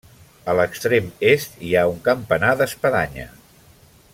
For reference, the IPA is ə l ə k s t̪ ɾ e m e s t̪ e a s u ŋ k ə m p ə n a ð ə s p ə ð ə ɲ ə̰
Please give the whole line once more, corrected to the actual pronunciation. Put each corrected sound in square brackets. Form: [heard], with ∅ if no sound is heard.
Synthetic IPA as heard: ə l ə k s t̪ ɾ e m e s t̪ [i] a [∅] u ŋ k ə m p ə n a ð ə s p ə ð [a] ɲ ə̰